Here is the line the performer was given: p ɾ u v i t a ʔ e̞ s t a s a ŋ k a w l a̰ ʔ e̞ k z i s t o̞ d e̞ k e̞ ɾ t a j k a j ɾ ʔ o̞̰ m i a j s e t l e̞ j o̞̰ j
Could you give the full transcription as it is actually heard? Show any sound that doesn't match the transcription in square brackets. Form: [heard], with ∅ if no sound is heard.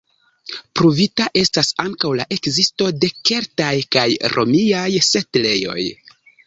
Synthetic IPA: p ɾ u v i t a ʔ e̞ s t a s a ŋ k a w l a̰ ʔ e̞ k z i s t o̞ d e̞ k e̞ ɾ t a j k a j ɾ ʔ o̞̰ m i a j s e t l e̞ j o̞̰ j